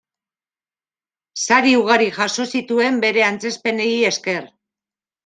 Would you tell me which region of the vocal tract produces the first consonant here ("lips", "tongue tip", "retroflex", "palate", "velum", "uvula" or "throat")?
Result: tongue tip